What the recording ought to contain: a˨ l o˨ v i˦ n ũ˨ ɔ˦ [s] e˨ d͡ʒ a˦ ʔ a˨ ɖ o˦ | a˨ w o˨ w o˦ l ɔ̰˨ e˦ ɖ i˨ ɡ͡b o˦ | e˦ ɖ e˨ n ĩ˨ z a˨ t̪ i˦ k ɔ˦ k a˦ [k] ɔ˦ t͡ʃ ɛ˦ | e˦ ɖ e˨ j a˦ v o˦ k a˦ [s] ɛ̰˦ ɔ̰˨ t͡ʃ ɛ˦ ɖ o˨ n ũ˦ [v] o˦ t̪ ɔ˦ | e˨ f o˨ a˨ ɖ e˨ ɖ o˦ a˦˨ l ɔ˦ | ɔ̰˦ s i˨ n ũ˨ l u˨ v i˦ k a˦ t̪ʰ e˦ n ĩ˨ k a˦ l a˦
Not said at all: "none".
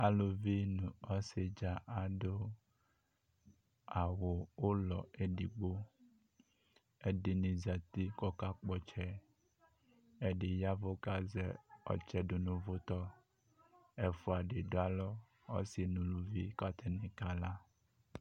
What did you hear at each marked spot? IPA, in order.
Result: s, k͡p, z, v

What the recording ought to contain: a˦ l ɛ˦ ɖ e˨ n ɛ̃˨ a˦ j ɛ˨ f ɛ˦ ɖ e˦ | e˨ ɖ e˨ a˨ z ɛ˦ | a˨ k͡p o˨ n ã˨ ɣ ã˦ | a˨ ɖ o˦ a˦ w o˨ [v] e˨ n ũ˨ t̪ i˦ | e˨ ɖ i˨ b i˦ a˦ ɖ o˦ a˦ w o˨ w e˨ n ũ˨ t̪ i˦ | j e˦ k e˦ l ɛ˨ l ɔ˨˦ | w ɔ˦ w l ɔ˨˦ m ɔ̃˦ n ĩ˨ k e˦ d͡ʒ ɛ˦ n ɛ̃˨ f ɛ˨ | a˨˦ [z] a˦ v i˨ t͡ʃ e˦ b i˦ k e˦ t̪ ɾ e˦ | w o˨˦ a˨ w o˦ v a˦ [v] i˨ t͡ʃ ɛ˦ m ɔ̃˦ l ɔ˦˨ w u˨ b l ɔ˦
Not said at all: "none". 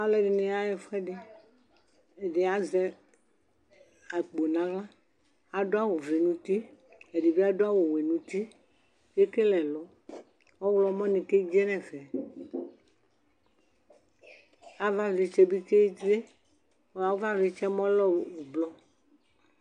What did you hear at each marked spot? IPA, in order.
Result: v, v, v

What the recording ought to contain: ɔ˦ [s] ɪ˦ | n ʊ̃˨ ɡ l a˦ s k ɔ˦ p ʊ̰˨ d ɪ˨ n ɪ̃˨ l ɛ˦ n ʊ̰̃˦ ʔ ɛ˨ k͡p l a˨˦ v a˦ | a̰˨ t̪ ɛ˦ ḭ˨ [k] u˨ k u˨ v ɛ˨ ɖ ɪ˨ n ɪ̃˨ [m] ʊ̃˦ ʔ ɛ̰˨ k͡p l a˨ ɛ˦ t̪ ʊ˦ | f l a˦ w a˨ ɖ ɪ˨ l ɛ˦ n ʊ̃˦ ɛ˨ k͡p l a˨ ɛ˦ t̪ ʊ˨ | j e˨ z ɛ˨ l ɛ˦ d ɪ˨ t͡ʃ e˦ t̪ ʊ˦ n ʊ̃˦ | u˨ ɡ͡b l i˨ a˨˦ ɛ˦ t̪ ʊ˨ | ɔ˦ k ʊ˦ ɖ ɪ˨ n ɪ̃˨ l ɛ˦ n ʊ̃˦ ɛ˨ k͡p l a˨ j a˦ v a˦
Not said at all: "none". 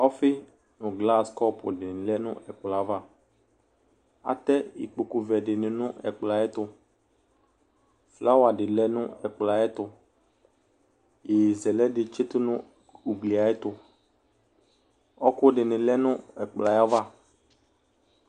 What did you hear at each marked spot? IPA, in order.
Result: f, k͡p, n

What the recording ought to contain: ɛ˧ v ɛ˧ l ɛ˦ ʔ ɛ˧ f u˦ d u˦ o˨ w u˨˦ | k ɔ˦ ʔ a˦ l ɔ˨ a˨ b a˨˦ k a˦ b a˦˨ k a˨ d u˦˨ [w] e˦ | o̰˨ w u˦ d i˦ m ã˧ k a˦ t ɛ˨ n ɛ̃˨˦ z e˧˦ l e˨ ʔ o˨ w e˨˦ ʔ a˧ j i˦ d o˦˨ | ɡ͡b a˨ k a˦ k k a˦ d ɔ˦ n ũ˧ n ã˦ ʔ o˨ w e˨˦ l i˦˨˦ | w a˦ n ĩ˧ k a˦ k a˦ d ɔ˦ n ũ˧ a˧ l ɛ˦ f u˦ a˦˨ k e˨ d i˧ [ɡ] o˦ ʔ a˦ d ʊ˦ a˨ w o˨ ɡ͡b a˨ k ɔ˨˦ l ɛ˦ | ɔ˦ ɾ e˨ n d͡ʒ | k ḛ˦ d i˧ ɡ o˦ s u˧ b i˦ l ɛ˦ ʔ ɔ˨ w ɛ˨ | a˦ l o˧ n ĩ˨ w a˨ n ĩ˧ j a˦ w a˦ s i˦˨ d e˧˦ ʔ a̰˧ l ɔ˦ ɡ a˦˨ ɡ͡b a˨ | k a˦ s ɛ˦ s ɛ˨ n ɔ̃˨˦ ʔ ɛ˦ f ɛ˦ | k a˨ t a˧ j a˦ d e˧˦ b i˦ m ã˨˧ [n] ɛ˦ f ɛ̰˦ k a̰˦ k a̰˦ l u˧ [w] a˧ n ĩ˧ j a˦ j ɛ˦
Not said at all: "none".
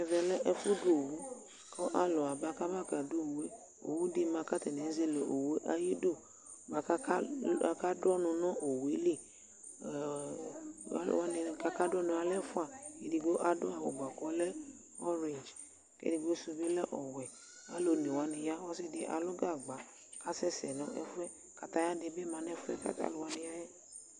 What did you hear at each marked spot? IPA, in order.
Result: w, ɡ, n, w

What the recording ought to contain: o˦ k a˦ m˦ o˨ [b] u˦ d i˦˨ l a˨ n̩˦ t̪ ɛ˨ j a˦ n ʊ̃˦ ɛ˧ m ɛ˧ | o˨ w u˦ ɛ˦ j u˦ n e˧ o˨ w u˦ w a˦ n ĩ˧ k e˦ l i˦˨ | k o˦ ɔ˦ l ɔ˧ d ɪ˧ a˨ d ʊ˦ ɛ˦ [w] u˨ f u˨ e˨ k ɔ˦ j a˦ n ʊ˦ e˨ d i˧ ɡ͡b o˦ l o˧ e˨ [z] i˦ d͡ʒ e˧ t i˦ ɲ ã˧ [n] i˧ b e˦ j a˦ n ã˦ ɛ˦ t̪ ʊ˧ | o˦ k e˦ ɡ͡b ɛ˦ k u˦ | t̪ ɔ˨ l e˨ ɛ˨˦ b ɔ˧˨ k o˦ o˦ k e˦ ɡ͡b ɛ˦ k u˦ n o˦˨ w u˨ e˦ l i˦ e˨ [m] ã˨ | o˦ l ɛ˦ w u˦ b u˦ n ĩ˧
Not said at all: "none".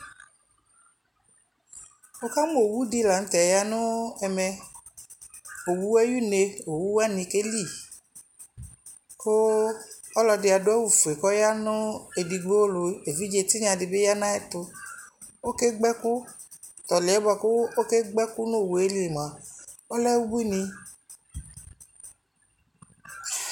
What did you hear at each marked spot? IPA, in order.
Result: w, w, v, d, m

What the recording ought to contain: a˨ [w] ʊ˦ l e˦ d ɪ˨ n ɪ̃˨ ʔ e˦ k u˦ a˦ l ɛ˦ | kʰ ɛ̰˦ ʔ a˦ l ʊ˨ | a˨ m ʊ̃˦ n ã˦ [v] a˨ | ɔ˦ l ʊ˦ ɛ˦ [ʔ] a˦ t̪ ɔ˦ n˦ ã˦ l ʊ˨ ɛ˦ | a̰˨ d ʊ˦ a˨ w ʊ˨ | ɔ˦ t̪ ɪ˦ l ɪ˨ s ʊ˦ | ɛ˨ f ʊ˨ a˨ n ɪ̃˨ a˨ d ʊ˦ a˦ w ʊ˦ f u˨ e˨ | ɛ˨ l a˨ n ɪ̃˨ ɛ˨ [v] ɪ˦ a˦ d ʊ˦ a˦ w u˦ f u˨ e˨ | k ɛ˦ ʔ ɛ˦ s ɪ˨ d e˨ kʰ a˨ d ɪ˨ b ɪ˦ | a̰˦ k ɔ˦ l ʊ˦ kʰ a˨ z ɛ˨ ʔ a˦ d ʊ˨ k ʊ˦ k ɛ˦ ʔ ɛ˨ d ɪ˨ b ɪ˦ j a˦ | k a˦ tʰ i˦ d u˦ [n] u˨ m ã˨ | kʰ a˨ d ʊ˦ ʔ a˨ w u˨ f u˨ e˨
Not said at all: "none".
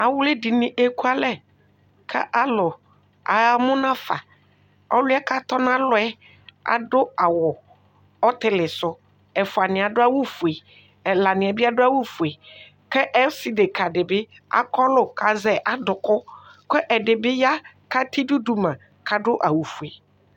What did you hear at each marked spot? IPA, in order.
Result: w, f, k, b, d

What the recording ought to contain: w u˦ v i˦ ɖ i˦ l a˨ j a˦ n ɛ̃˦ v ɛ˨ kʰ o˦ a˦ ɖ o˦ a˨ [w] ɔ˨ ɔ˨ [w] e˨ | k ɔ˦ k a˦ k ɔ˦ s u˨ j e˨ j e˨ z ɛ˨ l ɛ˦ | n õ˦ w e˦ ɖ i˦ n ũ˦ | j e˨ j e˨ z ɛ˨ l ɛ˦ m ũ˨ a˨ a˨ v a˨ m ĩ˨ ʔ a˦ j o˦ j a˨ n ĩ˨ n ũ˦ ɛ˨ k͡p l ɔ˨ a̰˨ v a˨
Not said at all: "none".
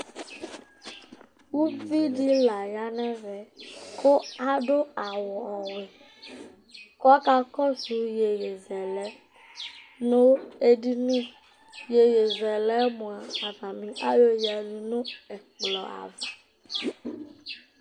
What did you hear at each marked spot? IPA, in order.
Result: w, w

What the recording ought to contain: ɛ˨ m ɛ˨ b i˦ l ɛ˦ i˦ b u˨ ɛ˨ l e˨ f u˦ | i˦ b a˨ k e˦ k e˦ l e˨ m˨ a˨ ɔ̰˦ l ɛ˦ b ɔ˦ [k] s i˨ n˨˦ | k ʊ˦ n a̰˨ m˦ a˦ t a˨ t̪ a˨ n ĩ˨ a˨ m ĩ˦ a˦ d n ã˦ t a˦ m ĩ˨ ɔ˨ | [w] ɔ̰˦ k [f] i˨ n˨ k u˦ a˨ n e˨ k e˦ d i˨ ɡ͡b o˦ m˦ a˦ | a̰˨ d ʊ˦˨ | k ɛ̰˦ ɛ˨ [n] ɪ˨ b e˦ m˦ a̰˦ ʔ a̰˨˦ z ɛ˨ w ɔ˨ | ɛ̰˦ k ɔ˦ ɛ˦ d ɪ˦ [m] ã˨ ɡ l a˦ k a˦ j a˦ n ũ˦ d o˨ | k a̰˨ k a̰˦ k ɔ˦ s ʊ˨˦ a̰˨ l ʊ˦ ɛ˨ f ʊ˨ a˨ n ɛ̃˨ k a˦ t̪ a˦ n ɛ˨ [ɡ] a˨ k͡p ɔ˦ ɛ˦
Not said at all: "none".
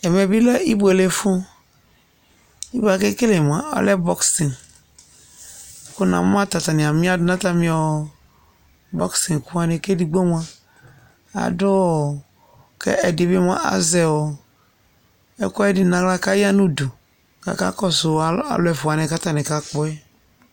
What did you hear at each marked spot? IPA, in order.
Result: k, b, s, d, n, k

